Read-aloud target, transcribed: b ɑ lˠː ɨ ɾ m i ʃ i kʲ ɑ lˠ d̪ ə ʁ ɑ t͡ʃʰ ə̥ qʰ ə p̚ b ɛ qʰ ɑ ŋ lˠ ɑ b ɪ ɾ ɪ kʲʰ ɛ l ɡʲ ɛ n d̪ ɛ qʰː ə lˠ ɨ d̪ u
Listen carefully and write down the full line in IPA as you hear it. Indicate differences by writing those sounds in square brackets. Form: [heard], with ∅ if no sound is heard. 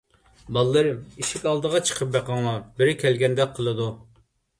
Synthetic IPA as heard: b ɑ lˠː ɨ ɾ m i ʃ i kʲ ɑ lˠ d̪ ə ʁ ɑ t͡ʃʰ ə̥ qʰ ə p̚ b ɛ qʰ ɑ ŋ lˠ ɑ b ɪ ɾ ɪ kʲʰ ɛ l ɡʲ ɛ n d̪ ɛ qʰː ə lˠ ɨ d̪ u